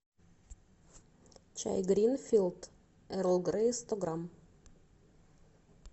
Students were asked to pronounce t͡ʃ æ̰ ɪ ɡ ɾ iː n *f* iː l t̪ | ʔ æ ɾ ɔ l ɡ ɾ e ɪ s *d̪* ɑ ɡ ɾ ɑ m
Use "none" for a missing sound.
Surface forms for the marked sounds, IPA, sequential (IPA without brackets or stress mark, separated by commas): f, t̪